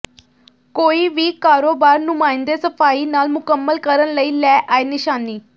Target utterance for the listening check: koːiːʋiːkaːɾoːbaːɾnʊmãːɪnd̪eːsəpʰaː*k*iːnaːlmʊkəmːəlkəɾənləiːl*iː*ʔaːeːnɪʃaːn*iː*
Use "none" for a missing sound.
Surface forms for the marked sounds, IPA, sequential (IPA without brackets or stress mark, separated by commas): none, ɛː, iː